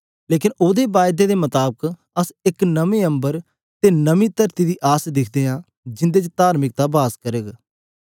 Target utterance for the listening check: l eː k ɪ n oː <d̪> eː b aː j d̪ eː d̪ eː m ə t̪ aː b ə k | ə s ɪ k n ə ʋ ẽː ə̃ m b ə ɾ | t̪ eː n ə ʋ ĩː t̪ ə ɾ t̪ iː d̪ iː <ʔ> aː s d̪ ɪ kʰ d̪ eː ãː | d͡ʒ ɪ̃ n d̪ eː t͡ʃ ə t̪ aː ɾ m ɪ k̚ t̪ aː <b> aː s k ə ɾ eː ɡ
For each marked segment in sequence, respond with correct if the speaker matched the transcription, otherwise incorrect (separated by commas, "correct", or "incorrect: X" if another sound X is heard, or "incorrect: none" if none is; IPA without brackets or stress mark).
correct, correct, correct